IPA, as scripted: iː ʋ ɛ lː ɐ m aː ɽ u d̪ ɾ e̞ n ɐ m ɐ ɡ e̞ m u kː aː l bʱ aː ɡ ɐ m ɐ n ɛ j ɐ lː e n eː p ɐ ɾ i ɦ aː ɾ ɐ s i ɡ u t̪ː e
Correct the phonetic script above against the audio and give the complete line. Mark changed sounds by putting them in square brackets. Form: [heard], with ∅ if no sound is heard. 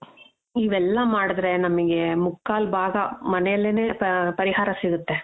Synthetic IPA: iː ʋ ɛ lː ɐ m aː ɽ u d̪ ɾ e̞ n ɐ m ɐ ɡ e̞ m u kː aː l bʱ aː ɡ ɐ m ɐ n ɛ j ɐ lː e n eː p ɐ ɾ i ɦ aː ɾ ɐ s i ɡ u t̪ː e